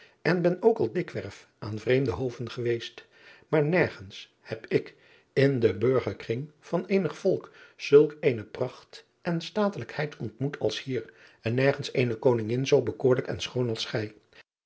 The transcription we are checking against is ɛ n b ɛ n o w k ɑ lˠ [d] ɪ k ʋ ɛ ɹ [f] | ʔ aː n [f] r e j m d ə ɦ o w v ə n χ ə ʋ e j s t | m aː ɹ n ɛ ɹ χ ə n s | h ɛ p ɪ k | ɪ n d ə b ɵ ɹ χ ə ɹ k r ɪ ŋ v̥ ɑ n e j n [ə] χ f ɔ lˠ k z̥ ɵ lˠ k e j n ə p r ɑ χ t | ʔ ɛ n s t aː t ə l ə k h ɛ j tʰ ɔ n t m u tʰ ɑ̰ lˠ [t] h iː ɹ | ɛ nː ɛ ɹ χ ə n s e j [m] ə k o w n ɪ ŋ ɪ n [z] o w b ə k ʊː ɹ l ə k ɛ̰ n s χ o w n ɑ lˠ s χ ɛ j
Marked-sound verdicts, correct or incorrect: correct, correct, incorrect: v, correct, incorrect: s, incorrect: n, correct

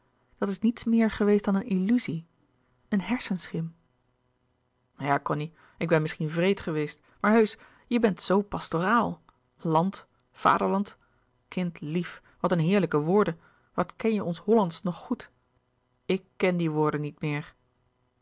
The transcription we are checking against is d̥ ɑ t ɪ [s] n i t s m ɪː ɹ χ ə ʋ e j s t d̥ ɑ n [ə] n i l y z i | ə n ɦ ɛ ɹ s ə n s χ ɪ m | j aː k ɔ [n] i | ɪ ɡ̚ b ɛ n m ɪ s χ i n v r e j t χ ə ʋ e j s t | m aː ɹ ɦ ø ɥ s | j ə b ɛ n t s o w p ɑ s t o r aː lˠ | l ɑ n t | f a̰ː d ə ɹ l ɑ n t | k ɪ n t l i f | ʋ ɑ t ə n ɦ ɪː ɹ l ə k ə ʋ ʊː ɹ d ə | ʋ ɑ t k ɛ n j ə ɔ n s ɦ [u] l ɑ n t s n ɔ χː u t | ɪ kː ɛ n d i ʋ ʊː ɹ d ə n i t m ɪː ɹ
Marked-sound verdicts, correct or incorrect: correct, correct, correct, incorrect: ɔ

